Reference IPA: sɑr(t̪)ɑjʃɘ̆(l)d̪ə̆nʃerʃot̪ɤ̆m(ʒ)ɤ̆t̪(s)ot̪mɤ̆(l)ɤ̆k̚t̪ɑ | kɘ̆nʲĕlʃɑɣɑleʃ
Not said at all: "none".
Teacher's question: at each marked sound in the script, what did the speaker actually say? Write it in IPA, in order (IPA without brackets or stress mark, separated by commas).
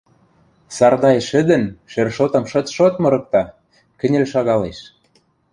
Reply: d̪, none, ʃ, ʃ, ɾ